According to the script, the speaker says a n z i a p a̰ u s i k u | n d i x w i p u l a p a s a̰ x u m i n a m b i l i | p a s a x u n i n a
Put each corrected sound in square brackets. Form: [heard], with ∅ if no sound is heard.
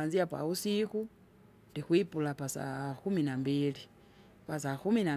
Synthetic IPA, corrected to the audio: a n z i a p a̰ u s i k u | n d i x w i p u l a p a s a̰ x u m i n a m b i l i | p a s a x u [m] i n a